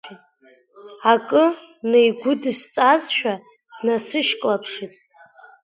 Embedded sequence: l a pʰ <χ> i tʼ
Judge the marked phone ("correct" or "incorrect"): incorrect